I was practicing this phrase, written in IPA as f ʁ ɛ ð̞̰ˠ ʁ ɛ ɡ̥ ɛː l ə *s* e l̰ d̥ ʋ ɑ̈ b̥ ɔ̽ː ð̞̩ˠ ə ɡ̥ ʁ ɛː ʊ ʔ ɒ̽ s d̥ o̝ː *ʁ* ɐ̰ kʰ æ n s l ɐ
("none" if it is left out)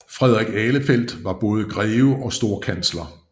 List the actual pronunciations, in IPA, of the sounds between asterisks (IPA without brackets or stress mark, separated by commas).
f, none